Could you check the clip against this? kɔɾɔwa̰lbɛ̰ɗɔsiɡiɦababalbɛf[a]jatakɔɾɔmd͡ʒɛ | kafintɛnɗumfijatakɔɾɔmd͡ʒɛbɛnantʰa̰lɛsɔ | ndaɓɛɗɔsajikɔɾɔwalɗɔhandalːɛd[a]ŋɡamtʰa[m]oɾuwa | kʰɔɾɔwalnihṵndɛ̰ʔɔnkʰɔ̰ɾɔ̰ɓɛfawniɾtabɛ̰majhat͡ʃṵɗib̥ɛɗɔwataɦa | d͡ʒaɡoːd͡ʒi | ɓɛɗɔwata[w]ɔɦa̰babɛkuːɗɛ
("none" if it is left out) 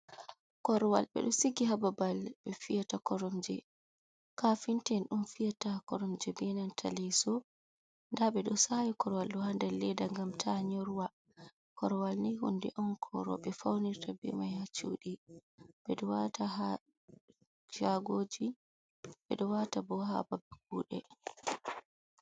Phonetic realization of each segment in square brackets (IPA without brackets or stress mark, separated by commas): i, a, ɲ, b